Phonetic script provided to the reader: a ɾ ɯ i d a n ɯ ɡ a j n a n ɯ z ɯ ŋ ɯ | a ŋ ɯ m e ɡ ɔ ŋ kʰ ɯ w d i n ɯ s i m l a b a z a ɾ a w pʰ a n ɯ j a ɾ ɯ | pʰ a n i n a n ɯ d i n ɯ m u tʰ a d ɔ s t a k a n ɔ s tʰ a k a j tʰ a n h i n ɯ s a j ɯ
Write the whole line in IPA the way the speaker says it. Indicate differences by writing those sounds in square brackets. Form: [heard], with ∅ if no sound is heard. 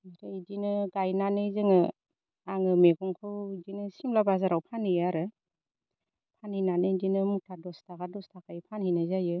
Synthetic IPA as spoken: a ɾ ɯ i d [i] n ɯ ɡ a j n a n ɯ z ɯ ŋ ɯ | a ŋ ɯ m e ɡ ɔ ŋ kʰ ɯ w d i n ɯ s i m l a b a z a ɾ a w pʰ a n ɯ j a ɾ ɯ | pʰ a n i n a n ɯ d i n ɯ m u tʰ a d ɔ s t a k a [d] ɔ s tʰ a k a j [pʰ] a n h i n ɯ [z] a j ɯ